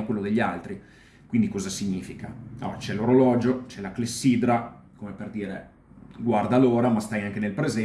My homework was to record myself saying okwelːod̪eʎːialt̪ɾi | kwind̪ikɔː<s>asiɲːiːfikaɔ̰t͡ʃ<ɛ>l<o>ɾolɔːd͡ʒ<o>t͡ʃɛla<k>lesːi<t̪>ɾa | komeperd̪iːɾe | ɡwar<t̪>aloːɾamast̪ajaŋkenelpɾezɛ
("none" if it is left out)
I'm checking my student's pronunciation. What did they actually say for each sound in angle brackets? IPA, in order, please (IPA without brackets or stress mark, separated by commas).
z, ɛ, o, o, k, d̪, d̪